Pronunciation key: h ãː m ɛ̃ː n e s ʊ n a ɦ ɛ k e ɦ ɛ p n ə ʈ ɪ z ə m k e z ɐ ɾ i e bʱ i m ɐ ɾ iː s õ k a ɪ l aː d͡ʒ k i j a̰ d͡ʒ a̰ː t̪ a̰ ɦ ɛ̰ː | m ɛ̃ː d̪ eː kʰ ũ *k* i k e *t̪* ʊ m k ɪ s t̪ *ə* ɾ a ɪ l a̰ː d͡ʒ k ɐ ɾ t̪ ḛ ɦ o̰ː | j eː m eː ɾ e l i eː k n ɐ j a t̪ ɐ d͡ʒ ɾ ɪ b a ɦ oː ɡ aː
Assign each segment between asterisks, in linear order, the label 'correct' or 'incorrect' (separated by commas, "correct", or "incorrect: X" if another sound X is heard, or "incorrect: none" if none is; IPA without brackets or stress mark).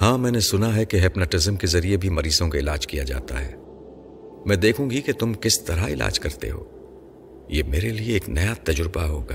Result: incorrect: ɡ, correct, incorrect: ɐ